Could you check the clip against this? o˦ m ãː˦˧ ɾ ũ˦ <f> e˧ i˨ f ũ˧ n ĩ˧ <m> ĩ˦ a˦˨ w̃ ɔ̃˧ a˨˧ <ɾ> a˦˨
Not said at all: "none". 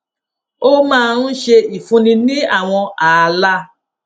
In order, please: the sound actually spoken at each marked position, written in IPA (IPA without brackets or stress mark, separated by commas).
ʃ, n, l